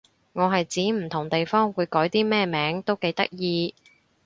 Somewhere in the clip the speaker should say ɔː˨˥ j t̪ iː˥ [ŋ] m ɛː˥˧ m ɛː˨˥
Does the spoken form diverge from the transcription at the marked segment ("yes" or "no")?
yes